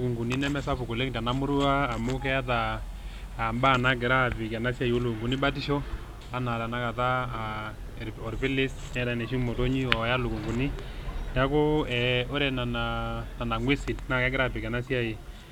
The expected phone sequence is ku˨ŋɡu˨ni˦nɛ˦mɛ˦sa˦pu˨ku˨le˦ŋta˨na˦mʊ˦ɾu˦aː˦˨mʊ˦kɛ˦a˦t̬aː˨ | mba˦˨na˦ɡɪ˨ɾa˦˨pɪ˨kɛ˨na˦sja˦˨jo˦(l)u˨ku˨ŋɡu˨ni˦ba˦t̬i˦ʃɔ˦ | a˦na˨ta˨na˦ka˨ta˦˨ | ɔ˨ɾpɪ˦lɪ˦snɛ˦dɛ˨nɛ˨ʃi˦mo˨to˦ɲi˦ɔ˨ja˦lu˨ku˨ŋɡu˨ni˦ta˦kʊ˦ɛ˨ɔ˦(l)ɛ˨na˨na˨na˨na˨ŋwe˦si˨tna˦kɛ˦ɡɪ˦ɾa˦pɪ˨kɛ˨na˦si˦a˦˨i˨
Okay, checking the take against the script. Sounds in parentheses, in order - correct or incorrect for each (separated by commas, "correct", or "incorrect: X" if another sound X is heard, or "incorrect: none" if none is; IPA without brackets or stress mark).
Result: correct, incorrect: ɾ